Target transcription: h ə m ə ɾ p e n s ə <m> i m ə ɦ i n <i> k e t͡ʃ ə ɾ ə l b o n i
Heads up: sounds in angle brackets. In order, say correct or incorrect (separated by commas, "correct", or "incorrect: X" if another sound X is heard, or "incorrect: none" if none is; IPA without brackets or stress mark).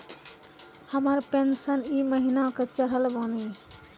incorrect: n, incorrect: a